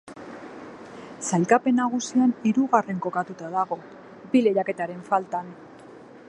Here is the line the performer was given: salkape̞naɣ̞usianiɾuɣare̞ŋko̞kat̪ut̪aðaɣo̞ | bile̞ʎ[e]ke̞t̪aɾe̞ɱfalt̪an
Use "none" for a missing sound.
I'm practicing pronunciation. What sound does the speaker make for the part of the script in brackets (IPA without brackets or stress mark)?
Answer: a